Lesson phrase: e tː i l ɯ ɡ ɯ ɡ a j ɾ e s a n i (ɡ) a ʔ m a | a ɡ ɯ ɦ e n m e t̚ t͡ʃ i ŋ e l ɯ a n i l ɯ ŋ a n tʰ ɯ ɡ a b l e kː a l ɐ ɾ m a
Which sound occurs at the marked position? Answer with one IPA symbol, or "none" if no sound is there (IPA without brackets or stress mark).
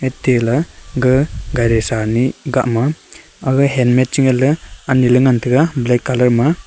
ɡ